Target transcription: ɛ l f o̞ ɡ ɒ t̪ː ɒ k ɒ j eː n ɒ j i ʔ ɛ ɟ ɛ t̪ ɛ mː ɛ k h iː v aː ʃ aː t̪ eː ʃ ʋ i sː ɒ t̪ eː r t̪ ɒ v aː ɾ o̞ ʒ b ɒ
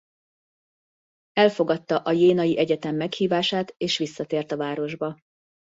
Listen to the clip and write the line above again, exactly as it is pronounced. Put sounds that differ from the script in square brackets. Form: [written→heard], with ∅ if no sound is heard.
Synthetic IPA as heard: ɛ l f o̞ ɡ ɒ t̪ː ɒ [k→ʔ] ɒ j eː n ɒ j i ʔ ɛ ɟ ɛ t̪ ɛ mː ɛ k h iː v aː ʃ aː t̪ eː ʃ ʋ i sː ɒ t̪ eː r t̪ ɒ v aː ɾ o̞ ʒ b ɒ